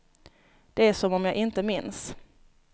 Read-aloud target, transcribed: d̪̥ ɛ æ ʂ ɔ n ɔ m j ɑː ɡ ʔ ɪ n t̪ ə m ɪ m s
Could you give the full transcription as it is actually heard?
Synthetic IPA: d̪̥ ɛ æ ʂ ɔ m ɔ m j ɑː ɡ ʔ ɪ n t̪ ə m ɪ n s